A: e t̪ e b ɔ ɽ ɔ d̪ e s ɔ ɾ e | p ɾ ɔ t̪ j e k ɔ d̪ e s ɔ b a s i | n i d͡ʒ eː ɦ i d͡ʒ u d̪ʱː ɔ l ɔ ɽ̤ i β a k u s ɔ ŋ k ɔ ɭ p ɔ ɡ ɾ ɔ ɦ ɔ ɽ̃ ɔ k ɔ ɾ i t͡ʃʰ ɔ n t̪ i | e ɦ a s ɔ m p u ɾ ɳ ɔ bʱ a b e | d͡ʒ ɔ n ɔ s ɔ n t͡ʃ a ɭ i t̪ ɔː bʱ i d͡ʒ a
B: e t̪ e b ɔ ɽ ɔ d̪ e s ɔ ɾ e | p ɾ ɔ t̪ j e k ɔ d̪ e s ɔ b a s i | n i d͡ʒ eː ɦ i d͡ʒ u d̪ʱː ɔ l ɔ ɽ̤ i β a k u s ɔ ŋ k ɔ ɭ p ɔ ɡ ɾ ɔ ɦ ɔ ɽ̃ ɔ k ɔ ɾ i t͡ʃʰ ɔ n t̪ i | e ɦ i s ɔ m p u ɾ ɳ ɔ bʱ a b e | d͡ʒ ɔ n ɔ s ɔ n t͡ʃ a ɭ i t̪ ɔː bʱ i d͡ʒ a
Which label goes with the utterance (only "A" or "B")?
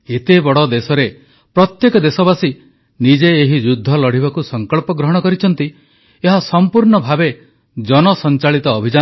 A